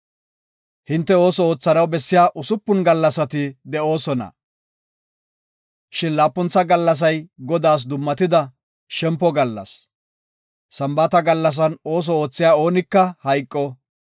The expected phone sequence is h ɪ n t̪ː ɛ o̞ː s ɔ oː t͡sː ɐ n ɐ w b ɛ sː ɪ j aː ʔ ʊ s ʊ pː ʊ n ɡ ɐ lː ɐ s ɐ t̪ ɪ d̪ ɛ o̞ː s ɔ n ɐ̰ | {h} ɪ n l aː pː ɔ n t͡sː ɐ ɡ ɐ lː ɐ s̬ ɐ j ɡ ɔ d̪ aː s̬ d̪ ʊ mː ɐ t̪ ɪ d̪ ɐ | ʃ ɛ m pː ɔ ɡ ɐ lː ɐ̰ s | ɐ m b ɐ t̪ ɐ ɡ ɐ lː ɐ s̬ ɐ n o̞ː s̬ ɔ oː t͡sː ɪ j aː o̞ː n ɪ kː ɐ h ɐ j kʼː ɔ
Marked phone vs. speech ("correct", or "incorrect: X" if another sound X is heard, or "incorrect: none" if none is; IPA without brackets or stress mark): incorrect: ʃ